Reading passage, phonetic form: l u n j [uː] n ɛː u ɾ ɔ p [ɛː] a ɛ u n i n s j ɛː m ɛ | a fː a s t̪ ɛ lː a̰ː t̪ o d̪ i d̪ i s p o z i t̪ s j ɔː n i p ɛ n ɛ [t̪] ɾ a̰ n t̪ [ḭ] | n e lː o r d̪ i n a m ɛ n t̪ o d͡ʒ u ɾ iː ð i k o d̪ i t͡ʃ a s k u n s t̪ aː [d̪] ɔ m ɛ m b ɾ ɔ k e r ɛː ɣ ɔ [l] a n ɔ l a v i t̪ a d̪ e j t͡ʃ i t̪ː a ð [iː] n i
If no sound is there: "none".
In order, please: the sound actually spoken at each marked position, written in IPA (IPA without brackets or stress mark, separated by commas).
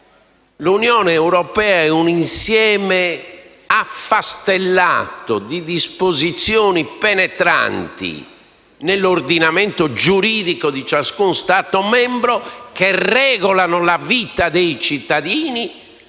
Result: ɔː, ɛː, t̪, ḭ, t̪, l, iː